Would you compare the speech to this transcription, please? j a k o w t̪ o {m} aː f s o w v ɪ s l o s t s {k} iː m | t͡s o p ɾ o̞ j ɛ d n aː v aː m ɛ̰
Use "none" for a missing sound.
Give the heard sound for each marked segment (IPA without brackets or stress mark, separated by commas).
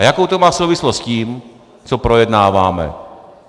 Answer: m, c